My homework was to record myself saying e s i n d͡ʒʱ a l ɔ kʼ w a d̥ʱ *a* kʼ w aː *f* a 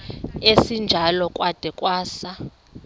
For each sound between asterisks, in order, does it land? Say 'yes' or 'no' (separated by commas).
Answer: no, no